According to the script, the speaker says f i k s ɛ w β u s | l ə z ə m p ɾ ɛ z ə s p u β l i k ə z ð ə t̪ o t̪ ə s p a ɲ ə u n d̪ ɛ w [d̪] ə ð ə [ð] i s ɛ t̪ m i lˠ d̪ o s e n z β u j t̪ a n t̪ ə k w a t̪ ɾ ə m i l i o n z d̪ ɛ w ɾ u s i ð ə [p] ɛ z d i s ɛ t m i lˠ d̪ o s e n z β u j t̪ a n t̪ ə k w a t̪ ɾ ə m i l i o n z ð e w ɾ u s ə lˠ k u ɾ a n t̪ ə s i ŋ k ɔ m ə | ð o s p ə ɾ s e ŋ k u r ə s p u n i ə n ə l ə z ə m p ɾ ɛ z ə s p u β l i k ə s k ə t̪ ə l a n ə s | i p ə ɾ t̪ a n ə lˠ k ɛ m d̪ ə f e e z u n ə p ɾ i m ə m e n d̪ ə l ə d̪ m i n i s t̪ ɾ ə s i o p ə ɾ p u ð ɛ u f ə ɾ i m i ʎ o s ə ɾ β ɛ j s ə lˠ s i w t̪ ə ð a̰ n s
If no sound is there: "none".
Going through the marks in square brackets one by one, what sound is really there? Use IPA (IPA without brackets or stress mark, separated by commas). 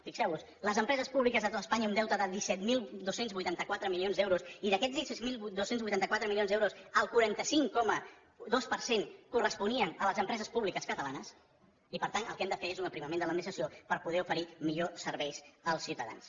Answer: t̪, ð, k